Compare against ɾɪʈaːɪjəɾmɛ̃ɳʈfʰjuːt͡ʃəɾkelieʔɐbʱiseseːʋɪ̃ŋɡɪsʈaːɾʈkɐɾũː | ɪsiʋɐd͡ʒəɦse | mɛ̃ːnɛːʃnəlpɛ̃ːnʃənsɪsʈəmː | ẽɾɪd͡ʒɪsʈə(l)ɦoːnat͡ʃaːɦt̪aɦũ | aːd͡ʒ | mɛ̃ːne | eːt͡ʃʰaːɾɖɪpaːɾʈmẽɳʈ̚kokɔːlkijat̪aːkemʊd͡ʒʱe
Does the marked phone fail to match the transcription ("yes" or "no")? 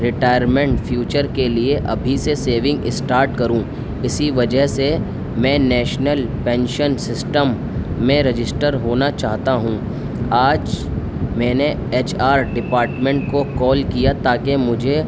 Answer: yes